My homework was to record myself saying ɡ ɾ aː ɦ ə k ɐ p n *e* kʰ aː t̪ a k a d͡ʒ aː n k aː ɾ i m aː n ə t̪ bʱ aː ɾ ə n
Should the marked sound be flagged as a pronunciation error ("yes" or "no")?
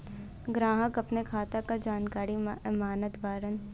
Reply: no